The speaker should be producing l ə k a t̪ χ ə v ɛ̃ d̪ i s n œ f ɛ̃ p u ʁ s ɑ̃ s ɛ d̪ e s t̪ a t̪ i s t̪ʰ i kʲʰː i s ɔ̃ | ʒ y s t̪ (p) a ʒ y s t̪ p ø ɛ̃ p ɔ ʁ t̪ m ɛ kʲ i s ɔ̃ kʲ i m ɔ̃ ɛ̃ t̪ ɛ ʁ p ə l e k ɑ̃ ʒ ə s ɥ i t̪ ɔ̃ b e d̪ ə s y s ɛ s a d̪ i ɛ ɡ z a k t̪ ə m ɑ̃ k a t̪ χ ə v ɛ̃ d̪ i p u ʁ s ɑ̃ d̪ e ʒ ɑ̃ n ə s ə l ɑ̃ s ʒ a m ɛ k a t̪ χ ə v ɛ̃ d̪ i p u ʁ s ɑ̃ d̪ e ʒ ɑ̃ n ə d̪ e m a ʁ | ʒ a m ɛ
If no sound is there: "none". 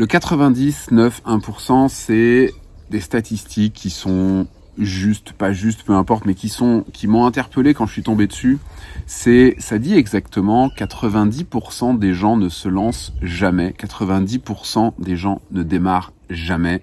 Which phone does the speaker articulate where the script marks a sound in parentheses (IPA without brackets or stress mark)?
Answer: p